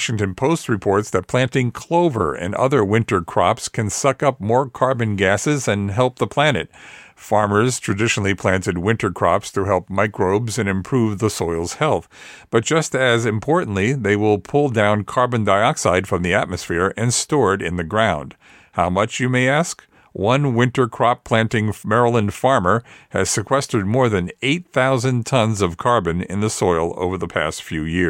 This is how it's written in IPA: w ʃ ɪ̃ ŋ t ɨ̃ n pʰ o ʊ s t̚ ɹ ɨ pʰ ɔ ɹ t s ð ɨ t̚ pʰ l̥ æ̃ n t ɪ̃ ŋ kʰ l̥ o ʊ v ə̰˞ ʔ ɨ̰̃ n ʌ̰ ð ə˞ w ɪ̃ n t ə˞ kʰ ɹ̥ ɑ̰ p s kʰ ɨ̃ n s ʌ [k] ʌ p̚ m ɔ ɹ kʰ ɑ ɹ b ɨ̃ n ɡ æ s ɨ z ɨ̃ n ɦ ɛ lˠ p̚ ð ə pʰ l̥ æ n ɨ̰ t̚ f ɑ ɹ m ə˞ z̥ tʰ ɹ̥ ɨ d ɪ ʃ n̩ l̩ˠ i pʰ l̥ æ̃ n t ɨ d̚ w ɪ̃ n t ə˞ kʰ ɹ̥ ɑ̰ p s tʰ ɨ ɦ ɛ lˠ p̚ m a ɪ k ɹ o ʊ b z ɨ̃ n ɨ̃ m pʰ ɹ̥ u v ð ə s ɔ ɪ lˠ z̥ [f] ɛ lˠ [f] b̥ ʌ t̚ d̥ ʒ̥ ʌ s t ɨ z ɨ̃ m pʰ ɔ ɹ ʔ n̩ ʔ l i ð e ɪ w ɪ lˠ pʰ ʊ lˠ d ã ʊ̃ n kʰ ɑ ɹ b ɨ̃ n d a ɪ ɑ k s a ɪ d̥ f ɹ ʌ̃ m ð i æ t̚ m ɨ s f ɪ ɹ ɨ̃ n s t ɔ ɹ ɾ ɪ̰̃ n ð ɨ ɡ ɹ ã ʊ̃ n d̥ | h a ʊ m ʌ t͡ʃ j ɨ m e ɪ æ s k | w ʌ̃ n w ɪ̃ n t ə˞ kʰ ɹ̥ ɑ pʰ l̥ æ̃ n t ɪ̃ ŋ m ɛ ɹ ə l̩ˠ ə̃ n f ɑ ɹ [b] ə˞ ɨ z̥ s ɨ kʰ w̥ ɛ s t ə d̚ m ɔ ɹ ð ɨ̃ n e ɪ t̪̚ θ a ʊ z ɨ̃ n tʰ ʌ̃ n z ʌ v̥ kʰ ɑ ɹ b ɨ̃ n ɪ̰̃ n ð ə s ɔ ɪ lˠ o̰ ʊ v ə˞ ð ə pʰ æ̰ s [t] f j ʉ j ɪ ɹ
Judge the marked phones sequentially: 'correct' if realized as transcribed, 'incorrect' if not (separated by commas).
correct, incorrect, incorrect, incorrect, correct